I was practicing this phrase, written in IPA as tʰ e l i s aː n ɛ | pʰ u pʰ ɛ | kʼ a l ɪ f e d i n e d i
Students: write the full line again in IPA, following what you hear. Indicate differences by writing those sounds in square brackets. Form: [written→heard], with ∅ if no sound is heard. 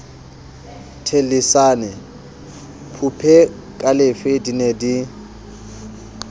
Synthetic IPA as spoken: tʰ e l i s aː n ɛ | pʰ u pʰ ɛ | kʼ a l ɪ f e d i n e d i